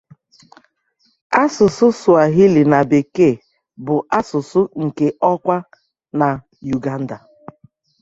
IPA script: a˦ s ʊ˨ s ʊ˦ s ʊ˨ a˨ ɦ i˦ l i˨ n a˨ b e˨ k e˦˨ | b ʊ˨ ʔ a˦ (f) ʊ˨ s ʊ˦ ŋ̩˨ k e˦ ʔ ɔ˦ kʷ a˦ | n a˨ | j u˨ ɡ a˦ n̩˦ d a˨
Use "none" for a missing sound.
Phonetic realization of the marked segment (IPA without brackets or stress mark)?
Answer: s